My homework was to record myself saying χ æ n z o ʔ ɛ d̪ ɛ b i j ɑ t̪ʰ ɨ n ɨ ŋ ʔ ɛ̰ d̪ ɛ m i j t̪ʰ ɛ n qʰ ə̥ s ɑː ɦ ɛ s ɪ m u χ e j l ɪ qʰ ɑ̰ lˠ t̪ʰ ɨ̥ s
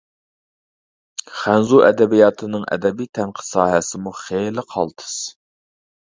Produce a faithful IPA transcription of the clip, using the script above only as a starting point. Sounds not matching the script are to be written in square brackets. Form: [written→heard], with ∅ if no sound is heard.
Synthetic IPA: χ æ n z [o→u] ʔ ɛ d̪ ɛ b i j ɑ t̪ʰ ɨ n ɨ ŋ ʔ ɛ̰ d̪ ɛ [m→b] i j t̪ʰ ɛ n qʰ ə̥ s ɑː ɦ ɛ s ɪ m u χ e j l ɪ qʰ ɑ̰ lˠ t̪ʰ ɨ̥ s